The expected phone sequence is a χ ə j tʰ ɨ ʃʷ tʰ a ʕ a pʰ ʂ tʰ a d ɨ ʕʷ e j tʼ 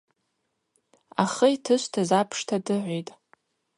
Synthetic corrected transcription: a χ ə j tʰ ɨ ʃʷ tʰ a z a pʰ ʂ tʰ a d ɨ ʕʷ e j tʼ

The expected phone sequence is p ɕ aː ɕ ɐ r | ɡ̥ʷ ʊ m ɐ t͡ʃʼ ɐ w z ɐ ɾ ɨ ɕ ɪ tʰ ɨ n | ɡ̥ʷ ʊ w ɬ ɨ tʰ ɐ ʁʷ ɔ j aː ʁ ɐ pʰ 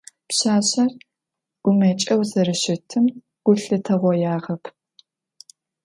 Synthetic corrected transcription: p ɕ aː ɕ ɐ r | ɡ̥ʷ ʊ m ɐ t͡ʃʼ ɐ w z ɐ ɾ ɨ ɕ ɪ tʰ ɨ m | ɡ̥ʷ ʊ ɬ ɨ tʰ ɐ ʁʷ ɔ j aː ʁ ɐ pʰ

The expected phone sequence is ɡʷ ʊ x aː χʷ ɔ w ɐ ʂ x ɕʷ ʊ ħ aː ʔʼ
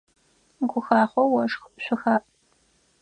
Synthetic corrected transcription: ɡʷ ʊ x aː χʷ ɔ w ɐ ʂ x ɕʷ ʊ x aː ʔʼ

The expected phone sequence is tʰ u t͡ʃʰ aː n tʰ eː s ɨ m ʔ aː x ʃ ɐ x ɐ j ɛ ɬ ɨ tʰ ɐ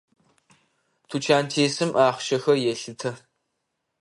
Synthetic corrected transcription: tʰ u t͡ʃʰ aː n tʰ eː s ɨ m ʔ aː χ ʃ ɐ x ɐ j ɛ ɬ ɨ tʰ ɐ

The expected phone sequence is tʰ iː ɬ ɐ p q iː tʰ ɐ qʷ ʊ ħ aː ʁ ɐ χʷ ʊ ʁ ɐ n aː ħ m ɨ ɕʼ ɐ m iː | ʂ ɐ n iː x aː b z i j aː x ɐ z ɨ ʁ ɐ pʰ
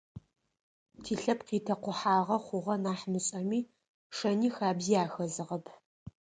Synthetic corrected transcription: tʰ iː ɬ ɐ p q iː tʰ ɐ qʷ ʊ ħ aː ʁ ɐ χʷ ʊ ʁ ɐ n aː ħ m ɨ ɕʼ ɐ m iː | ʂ ɐ n iː x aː b z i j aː x ɐ z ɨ ʁ ɐ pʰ

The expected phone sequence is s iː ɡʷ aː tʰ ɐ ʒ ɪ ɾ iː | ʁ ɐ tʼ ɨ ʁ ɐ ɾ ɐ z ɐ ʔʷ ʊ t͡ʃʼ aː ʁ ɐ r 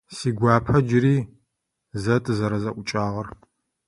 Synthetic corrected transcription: s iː ɡʷ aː pʰ ɐ d͡ʒ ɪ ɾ iː | z ɐ tʼ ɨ z ɐ ɾ ɐ z ɐ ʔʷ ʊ t͡ʃʼ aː ʁ ɐ r

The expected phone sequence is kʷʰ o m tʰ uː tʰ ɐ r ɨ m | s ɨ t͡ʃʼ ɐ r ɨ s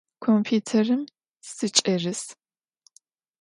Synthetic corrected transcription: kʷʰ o m pʰ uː tʰ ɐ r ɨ m | s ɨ t͡ʃʼ ɐ r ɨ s

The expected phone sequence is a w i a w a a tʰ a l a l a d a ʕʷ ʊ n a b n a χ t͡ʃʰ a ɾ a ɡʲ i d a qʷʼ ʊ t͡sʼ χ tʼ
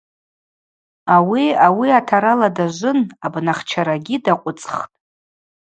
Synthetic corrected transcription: a w i a w i a tʰ a ɾ a l a d a ʒʷ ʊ n a b n a χ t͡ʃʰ a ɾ a ɡʲ i d a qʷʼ ʊ t͡sʼ χ tʼ

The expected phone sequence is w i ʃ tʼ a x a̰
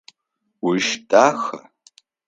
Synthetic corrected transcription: w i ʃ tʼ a x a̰

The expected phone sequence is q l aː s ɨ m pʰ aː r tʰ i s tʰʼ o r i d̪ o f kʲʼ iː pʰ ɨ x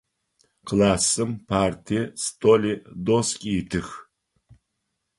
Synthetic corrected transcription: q l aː s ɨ m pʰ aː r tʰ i s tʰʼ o l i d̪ o s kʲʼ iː tʰ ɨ x

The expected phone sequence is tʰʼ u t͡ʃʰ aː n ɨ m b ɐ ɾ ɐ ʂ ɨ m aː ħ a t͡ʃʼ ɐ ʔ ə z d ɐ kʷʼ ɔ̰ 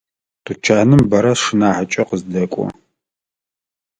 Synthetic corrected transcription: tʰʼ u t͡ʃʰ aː n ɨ m b ɐ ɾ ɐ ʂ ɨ n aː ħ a t͡ʃʼ ɐ q ə z d ɐ kʷʼ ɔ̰

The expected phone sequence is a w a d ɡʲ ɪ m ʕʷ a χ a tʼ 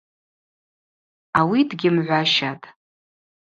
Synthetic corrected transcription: a w i d ɡʲ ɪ m ʕʷ a ʃ a tʼ

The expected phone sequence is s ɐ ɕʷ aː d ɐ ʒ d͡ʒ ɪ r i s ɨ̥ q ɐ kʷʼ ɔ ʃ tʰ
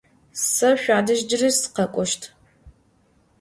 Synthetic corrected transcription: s ɐ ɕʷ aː d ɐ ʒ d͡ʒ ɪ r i s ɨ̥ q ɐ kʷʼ ɔ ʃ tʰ

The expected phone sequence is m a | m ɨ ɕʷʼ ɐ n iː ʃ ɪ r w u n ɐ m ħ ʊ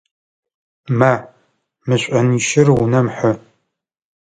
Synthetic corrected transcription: m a | m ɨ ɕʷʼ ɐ n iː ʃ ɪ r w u n ɐ m ħ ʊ

